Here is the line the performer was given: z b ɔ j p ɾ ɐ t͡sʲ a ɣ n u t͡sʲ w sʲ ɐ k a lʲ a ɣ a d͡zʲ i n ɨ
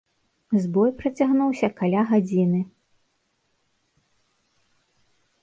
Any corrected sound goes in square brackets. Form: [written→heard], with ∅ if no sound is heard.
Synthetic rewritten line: z b ɔ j p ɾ ɐ t͡sʲ a ɣ n u [t͡sʲ→∅] w sʲ ɐ k a lʲ a ɣ a d͡zʲ i n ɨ